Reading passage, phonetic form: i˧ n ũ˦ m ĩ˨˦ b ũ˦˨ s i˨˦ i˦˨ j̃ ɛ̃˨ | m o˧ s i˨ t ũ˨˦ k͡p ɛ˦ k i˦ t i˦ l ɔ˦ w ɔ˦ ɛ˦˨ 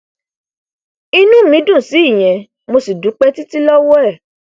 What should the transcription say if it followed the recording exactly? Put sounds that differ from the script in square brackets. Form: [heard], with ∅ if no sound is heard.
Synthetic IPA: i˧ n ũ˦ m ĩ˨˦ [d] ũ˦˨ s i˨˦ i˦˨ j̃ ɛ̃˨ | m o˧ s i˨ [d] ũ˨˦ k͡p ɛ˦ [t] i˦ t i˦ l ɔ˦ w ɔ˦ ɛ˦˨